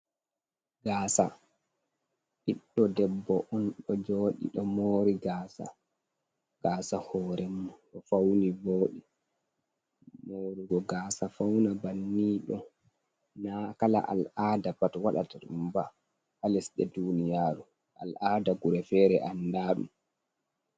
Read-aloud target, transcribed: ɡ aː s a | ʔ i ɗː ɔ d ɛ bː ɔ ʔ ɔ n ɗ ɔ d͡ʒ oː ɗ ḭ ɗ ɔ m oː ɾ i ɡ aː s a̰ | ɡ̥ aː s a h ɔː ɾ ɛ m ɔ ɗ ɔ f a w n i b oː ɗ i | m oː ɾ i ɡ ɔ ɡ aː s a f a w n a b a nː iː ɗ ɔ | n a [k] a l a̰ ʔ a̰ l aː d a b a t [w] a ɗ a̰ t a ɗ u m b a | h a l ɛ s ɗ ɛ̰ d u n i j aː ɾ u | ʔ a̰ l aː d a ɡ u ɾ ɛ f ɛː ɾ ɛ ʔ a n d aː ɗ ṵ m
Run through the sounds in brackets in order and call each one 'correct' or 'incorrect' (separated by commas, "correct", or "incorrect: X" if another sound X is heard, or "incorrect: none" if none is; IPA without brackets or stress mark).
correct, correct